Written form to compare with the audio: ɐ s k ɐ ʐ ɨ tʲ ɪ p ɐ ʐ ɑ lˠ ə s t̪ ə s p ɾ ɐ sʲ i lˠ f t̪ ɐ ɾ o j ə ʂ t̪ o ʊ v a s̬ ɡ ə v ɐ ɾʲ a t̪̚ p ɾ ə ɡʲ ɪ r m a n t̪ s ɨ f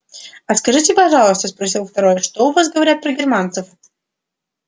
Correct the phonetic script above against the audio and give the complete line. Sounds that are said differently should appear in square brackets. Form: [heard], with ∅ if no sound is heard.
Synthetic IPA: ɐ s k ɐ ʐ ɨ tʲ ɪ p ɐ ʐ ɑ lˠ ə s t̪ ə s p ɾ ɐ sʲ i lˠ f t̪ ɐ ɾ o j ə ʂ t̪ o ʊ v a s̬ ɡ ə v ɐ ɾʲ a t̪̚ p ɾ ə ɡʲ ɪ r m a n t̪ s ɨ f

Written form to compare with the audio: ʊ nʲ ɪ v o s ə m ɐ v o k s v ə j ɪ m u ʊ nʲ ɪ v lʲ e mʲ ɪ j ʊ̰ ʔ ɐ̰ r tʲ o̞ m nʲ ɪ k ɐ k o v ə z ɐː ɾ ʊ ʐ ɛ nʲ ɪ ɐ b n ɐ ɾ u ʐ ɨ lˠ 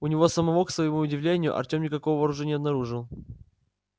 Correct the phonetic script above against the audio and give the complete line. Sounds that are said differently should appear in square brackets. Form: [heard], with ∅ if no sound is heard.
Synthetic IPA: ʊ nʲ ɪ v o s ə m ɐ v o k s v ə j ɪ m u ʊ [dʲ] ɪ v lʲ e [nʲ] ɪ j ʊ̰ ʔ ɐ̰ r tʲ o̞ m nʲ ɪ k ɐ k o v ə [v] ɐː ɾ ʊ ʐ ɛ nʲ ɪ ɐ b n ɐ ɾ u ʐ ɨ lˠ

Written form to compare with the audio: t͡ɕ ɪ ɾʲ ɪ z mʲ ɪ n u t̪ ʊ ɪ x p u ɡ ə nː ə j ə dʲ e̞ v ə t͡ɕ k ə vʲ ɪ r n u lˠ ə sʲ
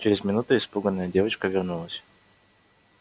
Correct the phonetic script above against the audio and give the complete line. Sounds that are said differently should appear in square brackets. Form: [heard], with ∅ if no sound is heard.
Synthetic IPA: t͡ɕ ɪ ɾʲ ɪ z mʲ ɪ n u t̪ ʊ ɪ [s] p u ɡ ə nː ə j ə dʲ e̞ v ə t͡ɕ k ə vʲ ɪ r n u lˠ ə sʲ

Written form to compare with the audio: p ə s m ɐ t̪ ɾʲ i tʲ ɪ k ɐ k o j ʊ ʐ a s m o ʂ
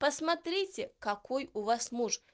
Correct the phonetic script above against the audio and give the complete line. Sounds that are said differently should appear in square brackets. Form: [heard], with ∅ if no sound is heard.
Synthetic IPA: p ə s m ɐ t̪ ɾʲ i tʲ ɪ k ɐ k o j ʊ [v] a s m [u] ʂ

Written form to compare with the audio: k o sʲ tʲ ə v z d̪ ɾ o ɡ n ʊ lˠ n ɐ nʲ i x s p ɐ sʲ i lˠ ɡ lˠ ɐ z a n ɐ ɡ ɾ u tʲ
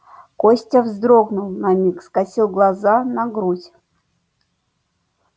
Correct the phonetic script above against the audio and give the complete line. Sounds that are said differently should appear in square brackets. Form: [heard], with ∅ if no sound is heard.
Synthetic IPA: k o sʲ tʲ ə v z d̪ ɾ o ɡ n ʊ lˠ n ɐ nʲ i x s [k] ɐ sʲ i lˠ ɡ lˠ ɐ z a n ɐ ɡ ɾ u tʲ

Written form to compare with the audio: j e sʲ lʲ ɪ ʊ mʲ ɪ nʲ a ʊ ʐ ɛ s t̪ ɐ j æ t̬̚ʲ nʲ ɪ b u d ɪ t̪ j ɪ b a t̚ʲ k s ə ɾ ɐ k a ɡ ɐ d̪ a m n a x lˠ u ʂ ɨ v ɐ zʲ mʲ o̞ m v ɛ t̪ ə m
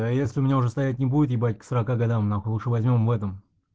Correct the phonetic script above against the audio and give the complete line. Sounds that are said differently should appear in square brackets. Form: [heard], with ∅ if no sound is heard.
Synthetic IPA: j e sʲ lʲ ɪ ʊ mʲ ɪ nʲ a ʊ ʐ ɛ s t̪ ɐ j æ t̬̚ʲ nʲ ɪ b u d ɪ t̪ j ɪ b a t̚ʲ k s ə ɾ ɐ k a ɡ ɐ d̪ a m n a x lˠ u ʂ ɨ v ɐ zʲ mʲ o̞ m v ɛ t̪ ə m

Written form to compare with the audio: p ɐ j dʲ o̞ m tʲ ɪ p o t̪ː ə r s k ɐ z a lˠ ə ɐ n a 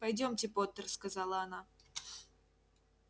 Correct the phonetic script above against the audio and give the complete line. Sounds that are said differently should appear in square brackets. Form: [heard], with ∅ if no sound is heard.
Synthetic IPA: p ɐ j dʲ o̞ m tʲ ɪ p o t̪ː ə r s k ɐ z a lˠ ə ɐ n a

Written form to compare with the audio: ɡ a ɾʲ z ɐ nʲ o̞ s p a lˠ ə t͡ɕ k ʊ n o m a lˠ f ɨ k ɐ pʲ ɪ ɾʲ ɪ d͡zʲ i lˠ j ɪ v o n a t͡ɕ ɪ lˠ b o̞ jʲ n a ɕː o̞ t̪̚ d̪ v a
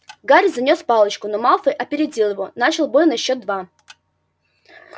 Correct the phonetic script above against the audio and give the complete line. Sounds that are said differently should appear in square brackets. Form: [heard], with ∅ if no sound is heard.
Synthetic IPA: ɡ a ɾʲ z ɐ nʲ o̞ s p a lˠ ə t͡ɕ k ʊ n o m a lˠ f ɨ [ʔ] ɐ pʲ ɪ ɾʲ ɪ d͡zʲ i lˠ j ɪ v o n a t͡ɕ ɪ lˠ b o̞ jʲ n [ɐ] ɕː o̞ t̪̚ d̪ v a

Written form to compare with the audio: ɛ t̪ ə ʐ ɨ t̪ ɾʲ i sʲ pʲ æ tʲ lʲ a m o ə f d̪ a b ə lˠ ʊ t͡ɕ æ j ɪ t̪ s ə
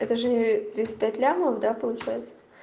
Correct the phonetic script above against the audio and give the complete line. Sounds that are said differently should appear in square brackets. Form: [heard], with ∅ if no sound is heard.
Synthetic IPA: ɛ t̪ ə ʐ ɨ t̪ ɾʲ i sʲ pʲ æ tʲ lʲ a m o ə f d̪ a [p] ə lˠ ʊ t͡ɕ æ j ɪ t̪ s ə

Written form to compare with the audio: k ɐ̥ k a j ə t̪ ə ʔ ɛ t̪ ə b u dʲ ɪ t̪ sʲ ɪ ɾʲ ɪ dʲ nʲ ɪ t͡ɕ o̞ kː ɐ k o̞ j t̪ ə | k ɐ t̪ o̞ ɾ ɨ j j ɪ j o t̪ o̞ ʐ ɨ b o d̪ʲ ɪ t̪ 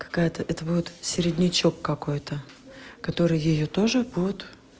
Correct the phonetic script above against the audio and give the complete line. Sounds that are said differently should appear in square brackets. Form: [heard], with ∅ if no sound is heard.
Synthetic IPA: k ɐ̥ k a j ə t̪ ə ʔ ɛ t̪ ə b u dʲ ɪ t̪ sʲ ɪ ɾʲ ɪ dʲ nʲ ɪ t͡ɕ o̞ kː ɐ k o̞ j t̪ ə | k ɐ t̪ o̞ ɾ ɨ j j ɪ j o t̪ o̞ ʐ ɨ b [u] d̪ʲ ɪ t̪

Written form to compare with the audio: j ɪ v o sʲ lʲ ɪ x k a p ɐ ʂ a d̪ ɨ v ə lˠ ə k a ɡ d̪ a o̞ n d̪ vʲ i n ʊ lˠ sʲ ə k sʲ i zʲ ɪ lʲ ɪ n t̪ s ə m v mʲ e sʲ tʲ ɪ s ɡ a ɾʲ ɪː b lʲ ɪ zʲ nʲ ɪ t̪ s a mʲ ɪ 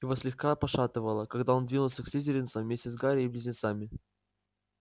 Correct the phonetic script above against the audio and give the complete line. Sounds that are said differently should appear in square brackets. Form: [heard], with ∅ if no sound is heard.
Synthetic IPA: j ɪ v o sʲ lʲ ɪ x k a p ɐ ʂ a [t̪] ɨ v ə lˠ ə k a ɡ d̪ a o̞ n d̪ vʲ i n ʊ lˠ sʲ ə k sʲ i zʲ ɪ [ɾʲ] ɪ n t̪ s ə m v mʲ e sʲ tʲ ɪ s ɡ a ɾʲ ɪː b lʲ ɪ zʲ nʲ ɪ t̪ s a mʲ ɪ

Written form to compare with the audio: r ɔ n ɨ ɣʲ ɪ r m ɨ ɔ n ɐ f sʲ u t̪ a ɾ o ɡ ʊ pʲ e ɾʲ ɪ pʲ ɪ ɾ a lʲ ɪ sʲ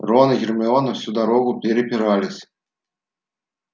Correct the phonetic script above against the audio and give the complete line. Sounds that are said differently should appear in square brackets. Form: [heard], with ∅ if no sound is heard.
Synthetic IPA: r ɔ n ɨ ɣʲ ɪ r m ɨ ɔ n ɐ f sʲ u [d̪] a ɾ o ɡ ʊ pʲ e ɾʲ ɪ pʲ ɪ ɾ a lʲ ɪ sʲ

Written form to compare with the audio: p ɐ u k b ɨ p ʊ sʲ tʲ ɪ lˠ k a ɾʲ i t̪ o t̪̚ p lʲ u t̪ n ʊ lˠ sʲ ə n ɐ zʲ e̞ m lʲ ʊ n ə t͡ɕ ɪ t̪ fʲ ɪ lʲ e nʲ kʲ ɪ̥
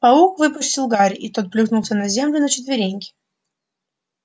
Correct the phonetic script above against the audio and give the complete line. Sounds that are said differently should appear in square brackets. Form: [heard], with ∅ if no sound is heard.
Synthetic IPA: p ɐ u k [v] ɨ p ʊ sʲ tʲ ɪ lˠ [ɡ] a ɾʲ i t̪ o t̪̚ p lʲ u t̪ n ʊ lˠ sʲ ə n ɐ zʲ e̞ m lʲ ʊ n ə t͡ɕ ɪ t̪ [vʲ] ɪ [ɾʲ] e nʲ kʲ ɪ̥

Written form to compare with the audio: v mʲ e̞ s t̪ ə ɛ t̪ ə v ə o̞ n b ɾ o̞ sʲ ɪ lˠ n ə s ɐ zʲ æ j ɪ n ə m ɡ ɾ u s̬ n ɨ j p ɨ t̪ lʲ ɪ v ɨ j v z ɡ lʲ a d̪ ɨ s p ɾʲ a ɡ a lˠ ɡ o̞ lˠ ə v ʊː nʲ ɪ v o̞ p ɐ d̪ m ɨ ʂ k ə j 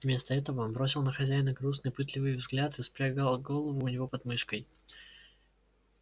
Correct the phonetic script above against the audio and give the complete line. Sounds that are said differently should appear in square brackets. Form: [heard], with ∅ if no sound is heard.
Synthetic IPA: v mʲ e̞ s t̪ ə ɛ t̪ ə v ə o̞ n b ɾ o̞ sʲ ɪ lˠ n ə [x] ɐ zʲ æ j ɪ n ə [∅] ɡ ɾ u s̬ n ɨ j p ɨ t̪ lʲ ɪ v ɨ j v z ɡ lʲ a [t̪] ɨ s p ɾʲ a ɡ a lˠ ɡ o̞ lˠ ə v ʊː nʲ ɪ v o̞ p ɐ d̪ m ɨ ʂ k ə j

